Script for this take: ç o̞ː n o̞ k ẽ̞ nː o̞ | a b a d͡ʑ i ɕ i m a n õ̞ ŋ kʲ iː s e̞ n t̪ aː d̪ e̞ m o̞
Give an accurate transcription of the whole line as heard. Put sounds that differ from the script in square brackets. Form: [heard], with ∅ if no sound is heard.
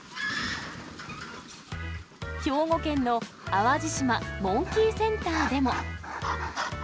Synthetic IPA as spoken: ç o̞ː [ŋ] o̞ k ẽ̞ nː o̞ | a [β] a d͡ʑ i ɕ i m a [m] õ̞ ŋ kʲ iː s [ẽ̞] n t̪ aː d̪ e̞ m o̞